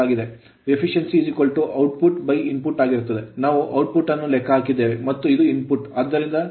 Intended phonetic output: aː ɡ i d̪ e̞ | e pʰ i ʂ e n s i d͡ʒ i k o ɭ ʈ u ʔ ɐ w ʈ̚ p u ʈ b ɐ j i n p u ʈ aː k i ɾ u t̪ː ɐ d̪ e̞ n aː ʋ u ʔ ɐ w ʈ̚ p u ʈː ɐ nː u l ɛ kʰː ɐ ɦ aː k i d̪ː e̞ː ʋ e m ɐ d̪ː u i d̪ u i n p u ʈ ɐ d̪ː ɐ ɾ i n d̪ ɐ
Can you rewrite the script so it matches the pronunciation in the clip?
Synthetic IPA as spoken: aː ɡ i d̪ e̞ | e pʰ i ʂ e n s i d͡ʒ i k o ɭ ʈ u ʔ ɐ w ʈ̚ p u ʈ b ɐ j i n p u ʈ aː ɡ i ɾ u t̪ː ɐ d̪ e̞ n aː ʋ u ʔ ɐ w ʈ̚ p u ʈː ɐ nː u l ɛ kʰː ɐ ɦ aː k i d̪ː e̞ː ʋ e m ɐ t̪ː u i d̪ u i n p u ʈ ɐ d̪ː ɐ ɾ i n d̪ ɐ